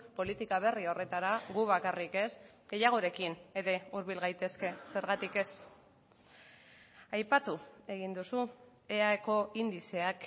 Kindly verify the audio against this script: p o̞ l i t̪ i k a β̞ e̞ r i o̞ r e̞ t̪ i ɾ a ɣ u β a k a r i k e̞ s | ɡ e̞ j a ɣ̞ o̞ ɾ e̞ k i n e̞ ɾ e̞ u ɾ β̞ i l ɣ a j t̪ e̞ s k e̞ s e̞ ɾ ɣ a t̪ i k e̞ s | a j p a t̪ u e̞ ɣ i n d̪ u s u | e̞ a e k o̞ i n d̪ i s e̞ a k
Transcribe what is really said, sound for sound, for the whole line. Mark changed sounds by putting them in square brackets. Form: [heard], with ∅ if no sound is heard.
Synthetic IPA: p o̞ l i t̪ i k a β̞ e̞ r i o̞ r e̞ t̪ [a] ɾ a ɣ u β a k a r i k e̞ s | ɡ e̞ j a ɣ̞ o̞ ɾ e̞ k i n e̞ ɾ e̞ u ɾ β̞ i l ɣ a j t̪ e̞ s k e̞ s e̞ ɾ ɣ a t̪ i k e̞ s | a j p a t̪ u e̞ ɣ i n d̪ u s u | e̞ a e k o̞ i n d̪ i s e̞ a k